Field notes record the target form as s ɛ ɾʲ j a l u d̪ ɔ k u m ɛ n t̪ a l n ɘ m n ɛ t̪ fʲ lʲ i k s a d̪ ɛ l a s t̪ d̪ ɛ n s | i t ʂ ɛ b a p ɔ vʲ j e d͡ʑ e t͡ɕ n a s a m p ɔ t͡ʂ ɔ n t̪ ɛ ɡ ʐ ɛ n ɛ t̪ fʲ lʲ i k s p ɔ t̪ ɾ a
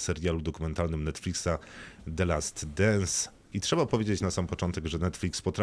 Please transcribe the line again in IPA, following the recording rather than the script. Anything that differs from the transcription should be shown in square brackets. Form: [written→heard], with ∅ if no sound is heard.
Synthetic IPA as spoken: s ɛ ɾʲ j a l u d̪ ɔ k u m ɛ n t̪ a l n ɘ m n ɛ t̪ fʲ lʲ i k s a d̪ ɛ l a s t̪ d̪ ɛ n s | i t ʂ ɛ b a p ɔ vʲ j e d͡ʑ e t͡ɕ n a s a m p ɔ t͡ʂ ɔ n t̪ ɛ ɡ ʐ ɛ n ɛ t̪ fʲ lʲ i k s p ɔ t̪ ɾ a